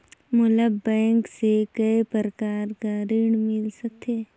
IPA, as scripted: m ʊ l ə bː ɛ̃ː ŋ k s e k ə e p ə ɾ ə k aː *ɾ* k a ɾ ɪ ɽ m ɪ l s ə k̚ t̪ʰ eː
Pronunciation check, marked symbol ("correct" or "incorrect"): correct